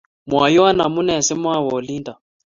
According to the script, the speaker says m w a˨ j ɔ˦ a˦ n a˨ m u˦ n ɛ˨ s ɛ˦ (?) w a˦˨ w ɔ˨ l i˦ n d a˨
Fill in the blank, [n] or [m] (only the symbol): m